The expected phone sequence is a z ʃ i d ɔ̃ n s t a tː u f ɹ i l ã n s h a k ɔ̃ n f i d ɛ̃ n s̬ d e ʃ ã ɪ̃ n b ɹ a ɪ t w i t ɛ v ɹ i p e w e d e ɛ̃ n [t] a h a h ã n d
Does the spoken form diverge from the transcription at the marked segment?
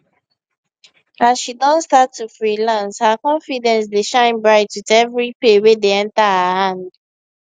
no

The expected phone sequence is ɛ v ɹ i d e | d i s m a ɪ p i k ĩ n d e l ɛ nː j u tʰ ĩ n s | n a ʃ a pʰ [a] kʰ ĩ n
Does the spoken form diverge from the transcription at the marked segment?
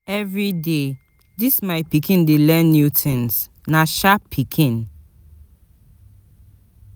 yes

